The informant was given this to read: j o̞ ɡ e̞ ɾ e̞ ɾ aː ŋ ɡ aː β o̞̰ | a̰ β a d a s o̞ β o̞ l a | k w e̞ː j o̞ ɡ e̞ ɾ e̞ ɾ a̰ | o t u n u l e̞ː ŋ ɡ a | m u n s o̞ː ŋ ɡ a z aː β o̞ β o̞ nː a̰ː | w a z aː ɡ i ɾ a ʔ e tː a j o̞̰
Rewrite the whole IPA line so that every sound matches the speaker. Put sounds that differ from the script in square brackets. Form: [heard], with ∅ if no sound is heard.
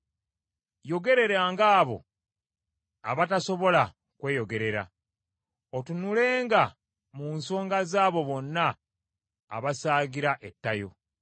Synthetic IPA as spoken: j o̞ ɡ e̞ ɾ e̞ ɾ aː ŋ ɡ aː β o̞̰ | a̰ β a [t] a s o̞ β o̞ l a | k w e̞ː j o̞ ɡ e̞ ɾ e̞ ɾ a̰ | o t u n u l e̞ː ŋ ɡ a | m u n s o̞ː ŋ ɡ a z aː β o̞ β o̞ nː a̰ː | [β] a [s] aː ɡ i ɾ a ʔ e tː a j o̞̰